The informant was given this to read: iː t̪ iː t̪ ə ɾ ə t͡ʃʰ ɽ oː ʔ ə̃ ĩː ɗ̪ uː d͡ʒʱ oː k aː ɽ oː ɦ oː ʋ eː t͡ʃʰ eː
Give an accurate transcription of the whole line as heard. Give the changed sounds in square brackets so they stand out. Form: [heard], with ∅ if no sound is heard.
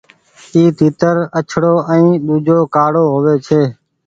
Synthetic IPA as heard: iː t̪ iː t̪ ə ɾ ə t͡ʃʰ ɽ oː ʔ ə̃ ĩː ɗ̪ uː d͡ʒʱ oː k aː ɽ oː ɦ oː ʋ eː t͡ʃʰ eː

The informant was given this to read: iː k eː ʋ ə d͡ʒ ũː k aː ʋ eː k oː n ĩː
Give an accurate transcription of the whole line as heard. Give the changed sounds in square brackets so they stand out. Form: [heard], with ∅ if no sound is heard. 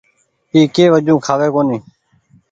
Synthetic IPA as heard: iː k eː ʋ ə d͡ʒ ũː [kʰ] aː ʋ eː k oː n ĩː

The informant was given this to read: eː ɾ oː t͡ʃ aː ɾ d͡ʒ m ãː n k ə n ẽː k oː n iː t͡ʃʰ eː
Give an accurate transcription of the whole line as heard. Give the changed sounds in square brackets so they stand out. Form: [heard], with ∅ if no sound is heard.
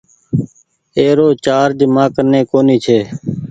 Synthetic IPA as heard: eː ɾ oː t͡ʃ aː ɾ d͡ʒ m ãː [∅] k ə n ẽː k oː n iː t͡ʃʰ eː

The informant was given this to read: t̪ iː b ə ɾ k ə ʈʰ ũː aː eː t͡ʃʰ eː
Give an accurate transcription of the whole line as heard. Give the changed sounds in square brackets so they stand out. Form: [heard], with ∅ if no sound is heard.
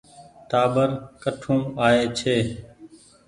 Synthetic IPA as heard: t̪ [aː] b ə ɾ k ə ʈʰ ũː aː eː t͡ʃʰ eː

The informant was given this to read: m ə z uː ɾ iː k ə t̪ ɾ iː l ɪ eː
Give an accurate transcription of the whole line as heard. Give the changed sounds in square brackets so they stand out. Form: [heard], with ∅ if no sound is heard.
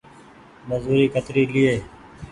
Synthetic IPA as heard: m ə z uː ɾ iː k ə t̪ ɾ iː l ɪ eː

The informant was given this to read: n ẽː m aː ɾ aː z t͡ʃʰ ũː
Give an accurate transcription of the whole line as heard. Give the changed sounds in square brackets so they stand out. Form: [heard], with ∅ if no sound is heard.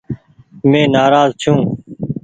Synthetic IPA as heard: [m] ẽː [n] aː ɾ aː z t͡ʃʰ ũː

